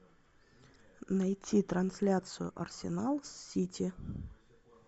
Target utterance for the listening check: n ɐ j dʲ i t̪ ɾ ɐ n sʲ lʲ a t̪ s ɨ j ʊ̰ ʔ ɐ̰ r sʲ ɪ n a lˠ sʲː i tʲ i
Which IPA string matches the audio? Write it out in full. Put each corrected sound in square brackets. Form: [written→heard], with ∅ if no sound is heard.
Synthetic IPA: n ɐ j [dʲ→tʲ] i t̪ ɾ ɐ n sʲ lʲ a t̪ s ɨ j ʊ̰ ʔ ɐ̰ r sʲ ɪ n a lˠ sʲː i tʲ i

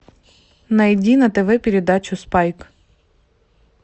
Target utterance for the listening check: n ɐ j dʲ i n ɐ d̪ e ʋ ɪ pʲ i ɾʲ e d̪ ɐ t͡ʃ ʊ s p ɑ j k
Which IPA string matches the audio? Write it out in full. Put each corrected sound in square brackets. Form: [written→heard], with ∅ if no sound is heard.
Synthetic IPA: n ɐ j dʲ i n ɐ [d̪→t̪] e ʋ ɪ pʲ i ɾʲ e d̪ [ɐ→ɑ] t͡ʃ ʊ s p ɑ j k

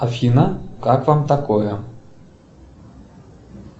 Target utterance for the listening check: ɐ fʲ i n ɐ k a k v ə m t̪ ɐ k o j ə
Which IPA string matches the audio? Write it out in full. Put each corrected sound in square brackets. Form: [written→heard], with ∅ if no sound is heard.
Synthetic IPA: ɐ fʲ i n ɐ k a k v [ə→a] m t̪ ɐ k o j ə

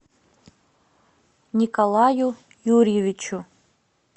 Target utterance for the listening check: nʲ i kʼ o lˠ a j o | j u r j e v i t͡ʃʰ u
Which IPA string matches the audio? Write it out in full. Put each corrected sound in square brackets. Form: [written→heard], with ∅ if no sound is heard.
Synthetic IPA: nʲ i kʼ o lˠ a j [o→u] | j u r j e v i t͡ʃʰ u

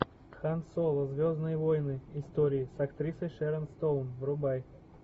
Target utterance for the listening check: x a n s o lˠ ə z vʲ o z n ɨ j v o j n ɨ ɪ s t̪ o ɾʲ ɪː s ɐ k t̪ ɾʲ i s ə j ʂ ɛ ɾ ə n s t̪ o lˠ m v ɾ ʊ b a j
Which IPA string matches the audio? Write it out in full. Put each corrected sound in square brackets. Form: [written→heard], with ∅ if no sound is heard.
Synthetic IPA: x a n s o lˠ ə z vʲ o z n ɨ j v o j n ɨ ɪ s t̪ o ɾʲ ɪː s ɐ k t̪ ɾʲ i s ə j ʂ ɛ ɾ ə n s t̪ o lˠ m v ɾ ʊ b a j

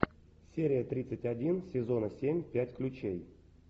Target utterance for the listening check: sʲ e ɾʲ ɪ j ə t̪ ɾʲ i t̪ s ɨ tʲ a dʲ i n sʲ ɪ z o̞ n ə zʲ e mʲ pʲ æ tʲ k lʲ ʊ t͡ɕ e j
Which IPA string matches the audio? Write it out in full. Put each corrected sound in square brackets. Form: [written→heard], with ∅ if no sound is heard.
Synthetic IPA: sʲ e ɾʲ ɪ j ə t̪ ɾʲ i t̪ s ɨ tʲ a dʲ i n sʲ ɪ z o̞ n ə [zʲ→sʲ] e mʲ pʲ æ tʲ k lʲ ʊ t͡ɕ e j

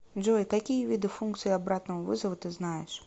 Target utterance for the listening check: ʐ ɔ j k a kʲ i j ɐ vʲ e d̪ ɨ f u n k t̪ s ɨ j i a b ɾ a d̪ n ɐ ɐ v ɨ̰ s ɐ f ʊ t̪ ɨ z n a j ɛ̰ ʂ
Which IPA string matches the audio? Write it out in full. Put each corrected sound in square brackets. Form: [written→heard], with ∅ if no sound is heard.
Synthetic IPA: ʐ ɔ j k a kʲ i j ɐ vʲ [e→i] d̪ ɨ f u n k t̪ s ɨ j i a b ɾ a [d̪→t̪] n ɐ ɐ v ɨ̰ [s→z] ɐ [f→v] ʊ t̪ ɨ z n a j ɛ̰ ʂ

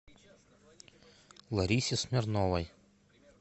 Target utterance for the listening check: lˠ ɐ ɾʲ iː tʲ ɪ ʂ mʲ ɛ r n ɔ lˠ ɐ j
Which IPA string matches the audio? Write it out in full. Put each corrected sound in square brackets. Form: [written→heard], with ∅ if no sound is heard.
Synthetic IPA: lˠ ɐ ɾʲ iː [tʲ→sʲ] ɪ [ʂ→s] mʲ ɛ [r→ɾ] n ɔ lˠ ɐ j

